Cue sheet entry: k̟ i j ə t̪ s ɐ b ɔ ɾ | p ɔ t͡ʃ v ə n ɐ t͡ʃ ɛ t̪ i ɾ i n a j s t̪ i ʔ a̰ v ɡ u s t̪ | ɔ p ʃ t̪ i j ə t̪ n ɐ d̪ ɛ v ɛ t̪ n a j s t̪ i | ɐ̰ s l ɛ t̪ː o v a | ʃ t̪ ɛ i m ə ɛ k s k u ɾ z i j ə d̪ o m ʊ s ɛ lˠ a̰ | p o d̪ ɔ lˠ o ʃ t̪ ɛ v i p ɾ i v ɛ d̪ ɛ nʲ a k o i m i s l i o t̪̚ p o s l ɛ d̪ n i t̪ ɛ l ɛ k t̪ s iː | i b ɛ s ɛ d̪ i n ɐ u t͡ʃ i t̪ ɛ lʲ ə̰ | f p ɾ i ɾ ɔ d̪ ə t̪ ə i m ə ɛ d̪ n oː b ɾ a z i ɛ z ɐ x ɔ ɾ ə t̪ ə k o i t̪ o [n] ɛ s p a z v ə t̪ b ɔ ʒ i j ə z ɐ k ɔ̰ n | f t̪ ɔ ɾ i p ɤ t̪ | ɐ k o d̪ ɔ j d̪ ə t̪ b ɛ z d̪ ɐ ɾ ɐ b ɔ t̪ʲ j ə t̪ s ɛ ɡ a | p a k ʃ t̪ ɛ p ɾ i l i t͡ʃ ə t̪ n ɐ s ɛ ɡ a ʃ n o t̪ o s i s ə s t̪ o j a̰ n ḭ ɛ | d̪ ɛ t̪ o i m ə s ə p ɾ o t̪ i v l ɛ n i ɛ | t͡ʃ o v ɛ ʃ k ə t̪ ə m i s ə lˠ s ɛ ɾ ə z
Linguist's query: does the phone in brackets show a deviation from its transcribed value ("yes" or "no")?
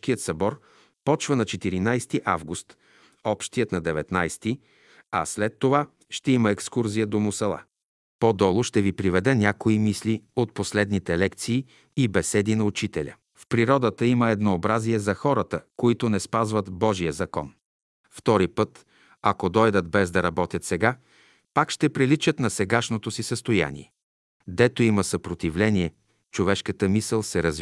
no